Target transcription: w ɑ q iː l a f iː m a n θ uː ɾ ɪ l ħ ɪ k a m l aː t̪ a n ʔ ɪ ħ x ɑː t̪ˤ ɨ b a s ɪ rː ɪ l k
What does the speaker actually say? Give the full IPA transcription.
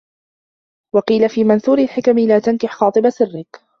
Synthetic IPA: w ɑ q iː l a f iː m a n θ uː ɾ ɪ l ħ ɪ k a m l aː t̪ a n k ɪ ħ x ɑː t̪ˤ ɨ b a s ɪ rː ɪ k